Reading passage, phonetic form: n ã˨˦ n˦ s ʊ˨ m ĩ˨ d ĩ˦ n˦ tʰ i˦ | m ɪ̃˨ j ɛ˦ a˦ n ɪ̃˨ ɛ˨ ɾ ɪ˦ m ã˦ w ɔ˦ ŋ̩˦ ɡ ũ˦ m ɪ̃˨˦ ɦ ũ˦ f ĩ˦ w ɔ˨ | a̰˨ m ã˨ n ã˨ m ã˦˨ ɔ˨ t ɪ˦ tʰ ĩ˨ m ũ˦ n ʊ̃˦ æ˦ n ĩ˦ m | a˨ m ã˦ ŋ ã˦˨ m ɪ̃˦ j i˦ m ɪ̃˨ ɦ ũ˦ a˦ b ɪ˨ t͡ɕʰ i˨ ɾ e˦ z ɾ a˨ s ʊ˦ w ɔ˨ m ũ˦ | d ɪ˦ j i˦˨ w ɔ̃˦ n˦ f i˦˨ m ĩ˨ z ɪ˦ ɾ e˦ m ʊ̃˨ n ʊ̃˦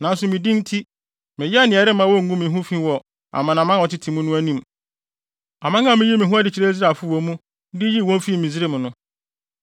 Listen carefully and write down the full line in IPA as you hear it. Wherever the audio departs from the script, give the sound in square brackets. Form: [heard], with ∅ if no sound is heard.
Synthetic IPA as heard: n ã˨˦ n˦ s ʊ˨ m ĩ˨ d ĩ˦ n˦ tʰ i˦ | m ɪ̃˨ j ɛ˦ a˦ n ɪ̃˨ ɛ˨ ɾ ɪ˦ m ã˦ w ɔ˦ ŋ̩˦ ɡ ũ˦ m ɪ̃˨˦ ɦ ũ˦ f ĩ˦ w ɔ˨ | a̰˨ m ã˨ n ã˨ m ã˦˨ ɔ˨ t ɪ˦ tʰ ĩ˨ m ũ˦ n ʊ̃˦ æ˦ n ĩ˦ m | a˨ m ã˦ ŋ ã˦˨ m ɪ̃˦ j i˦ m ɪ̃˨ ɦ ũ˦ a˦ [d] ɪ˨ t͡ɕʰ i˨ ɾ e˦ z ɾ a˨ [f] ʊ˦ w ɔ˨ m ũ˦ | d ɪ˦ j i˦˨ w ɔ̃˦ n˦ f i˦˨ m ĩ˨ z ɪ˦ ɾ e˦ m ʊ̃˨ n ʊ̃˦